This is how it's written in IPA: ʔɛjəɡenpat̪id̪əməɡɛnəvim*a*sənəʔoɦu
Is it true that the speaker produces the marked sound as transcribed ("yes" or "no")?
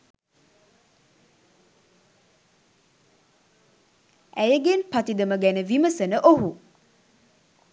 no